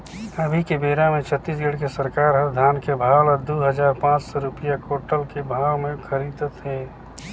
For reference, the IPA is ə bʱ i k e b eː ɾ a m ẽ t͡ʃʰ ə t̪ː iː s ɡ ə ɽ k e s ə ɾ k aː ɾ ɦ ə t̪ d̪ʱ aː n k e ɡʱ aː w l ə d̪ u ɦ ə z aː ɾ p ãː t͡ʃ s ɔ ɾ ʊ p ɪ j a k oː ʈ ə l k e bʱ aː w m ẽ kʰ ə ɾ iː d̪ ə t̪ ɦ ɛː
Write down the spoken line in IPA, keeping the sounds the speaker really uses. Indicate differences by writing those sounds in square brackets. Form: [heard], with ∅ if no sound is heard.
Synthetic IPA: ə bʱ i k e b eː ɾ a m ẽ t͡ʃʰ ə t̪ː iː s ɡ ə ɽ k e s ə ɾ k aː ɾ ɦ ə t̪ d̪ʱ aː n k e [bʱ] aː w l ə d̪ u ɦ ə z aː ɾ p ãː t͡ʃ s ɔ ɾ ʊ p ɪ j a k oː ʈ ə l k e bʱ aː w m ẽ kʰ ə ɾ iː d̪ ə t̪ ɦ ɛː

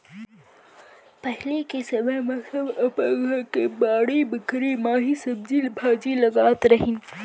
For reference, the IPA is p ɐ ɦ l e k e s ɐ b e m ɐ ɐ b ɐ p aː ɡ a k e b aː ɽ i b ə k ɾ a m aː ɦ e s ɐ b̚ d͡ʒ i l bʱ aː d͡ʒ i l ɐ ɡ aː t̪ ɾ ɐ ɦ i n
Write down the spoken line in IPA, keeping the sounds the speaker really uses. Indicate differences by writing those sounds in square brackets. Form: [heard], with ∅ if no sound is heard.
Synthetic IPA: p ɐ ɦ l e k e s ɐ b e m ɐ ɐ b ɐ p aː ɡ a k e b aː ɽ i b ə k ɾ [i] m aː ɦ [i] s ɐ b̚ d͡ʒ i l bʱ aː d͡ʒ i l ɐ ɡ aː t̪ ɾ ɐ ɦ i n

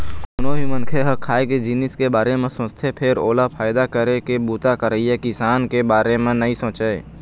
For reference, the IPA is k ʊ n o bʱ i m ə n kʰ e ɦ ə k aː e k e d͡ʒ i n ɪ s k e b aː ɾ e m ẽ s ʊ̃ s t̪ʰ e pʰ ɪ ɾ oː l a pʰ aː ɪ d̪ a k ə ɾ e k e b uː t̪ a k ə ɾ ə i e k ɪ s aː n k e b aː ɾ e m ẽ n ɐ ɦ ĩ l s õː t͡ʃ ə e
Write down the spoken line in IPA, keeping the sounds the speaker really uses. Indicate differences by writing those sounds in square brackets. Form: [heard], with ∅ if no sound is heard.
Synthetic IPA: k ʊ n o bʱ i m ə n kʰ e ɦ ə [kʰ] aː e k e d͡ʒ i n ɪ s k e b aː ɾ e m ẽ s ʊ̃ s t̪ʰ e pʰ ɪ ɾ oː l a pʰ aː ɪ d̪ a k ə ɾ e k e b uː t̪ a k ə ɾ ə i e k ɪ s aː n k e b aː ɾ e m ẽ n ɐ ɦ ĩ [∅] s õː t͡ʃ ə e

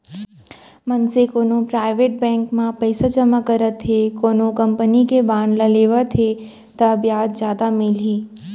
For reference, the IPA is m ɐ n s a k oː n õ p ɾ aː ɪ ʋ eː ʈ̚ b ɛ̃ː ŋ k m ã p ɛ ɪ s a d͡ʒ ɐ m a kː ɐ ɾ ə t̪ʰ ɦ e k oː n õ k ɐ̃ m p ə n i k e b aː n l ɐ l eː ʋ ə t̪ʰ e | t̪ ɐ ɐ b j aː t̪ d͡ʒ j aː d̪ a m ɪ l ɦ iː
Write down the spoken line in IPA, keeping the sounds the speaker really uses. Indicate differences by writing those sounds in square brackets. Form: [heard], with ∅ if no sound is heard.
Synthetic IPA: m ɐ n s [e] k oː n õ p ɾ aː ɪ ʋ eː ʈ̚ b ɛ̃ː ŋ k m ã p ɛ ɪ s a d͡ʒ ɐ m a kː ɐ ɾ ə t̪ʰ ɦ e k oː n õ k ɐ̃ m p ə n i k e b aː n l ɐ l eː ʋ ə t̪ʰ e | t̪ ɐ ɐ b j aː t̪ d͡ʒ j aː d̪ a m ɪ l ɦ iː

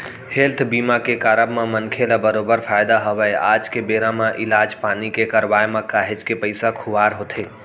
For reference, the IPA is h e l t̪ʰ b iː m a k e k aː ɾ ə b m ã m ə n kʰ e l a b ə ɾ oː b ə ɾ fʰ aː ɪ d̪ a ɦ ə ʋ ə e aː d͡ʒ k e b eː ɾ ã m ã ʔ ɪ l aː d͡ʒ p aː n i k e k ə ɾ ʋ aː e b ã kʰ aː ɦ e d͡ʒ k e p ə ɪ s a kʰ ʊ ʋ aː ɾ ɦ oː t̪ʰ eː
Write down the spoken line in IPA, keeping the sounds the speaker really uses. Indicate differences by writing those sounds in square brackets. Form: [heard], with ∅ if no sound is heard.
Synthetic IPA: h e l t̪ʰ b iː m a k e k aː ɾ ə b m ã m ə n kʰ e l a b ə ɾ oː b ə ɾ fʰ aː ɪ d̪ a ɦ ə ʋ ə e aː d͡ʒ k e b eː ɾ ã m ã ʔ ɪ l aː d͡ʒ p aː n i k e k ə ɾ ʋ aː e [m] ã [k] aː ɦ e d͡ʒ k e p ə ɪ s a kʰ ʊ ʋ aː ɾ ɦ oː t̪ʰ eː

